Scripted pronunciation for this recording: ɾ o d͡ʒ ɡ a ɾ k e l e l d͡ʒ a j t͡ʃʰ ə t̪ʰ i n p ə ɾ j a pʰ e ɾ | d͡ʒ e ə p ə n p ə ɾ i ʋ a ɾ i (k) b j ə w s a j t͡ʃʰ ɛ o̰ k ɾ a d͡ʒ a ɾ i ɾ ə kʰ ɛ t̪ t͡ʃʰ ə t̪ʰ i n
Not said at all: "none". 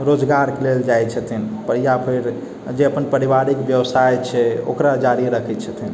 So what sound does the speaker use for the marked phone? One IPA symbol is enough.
k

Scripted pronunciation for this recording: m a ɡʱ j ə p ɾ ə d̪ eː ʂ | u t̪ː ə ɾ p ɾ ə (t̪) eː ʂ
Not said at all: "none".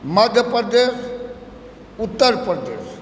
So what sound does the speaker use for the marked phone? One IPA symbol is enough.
d̪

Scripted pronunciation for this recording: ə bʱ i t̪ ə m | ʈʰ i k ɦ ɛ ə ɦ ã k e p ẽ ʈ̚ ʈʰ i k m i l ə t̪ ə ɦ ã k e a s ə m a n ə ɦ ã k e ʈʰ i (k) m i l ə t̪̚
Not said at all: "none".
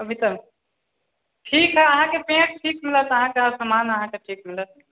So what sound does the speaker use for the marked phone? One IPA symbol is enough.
k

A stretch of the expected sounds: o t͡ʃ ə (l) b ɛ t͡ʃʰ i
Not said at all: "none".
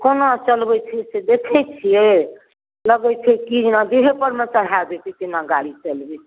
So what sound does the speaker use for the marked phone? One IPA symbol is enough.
l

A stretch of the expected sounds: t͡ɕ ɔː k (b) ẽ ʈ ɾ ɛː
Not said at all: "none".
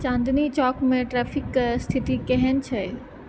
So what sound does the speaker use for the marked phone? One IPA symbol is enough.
m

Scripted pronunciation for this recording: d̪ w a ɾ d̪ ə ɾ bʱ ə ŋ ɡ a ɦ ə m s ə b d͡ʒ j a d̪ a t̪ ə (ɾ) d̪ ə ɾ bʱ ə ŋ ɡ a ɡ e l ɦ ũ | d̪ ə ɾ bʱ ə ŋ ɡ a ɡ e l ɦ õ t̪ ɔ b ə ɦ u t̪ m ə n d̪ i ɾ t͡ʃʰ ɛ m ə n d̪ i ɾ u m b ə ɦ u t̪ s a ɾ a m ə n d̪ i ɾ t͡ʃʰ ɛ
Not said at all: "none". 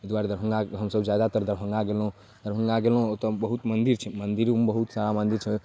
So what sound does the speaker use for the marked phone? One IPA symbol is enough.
ɾ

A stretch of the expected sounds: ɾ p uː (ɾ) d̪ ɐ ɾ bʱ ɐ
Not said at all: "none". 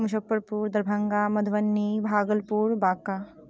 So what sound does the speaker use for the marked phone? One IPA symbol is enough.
ɾ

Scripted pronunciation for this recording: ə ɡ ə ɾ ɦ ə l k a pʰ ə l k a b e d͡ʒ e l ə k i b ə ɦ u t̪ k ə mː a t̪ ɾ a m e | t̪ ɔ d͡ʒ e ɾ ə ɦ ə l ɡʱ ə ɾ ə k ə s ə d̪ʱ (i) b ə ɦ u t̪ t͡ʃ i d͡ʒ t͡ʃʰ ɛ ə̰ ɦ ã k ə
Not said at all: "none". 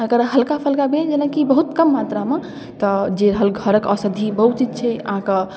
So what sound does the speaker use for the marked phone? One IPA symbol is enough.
i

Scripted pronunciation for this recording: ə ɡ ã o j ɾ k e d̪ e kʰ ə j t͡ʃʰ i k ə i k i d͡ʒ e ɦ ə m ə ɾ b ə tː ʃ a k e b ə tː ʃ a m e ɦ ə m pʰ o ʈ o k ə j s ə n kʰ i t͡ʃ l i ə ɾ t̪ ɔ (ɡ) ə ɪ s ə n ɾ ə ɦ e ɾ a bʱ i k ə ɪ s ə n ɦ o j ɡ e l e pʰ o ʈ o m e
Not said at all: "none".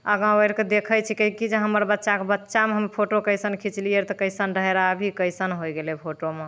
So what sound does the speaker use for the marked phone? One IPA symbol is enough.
k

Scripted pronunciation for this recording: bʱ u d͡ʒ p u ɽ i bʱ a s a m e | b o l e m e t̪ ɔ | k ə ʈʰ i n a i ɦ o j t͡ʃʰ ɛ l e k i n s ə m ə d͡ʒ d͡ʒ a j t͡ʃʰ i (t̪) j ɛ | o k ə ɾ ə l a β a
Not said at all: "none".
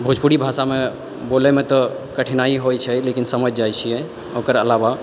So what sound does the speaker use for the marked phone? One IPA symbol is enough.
none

